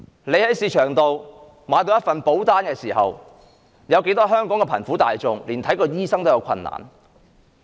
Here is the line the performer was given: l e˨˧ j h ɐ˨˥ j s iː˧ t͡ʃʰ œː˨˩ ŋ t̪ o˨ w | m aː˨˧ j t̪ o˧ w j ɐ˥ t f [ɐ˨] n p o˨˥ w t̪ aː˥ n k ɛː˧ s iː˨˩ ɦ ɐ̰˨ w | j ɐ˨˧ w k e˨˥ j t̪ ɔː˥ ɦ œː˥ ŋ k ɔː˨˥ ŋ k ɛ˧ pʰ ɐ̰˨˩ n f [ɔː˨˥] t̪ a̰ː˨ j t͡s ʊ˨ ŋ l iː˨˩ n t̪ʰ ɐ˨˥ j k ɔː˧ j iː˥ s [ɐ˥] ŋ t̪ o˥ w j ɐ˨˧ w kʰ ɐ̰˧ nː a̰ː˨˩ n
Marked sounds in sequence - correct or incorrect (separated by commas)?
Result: correct, incorrect, correct